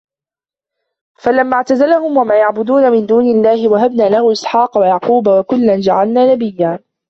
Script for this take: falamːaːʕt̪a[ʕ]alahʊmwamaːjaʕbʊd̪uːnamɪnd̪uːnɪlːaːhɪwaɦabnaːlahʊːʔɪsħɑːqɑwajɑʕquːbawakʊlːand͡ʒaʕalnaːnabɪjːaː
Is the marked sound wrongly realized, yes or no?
yes